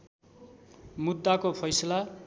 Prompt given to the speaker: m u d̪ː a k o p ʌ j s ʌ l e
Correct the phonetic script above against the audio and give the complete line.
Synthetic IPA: m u d̪ː a k o pʰ ʌ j s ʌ l a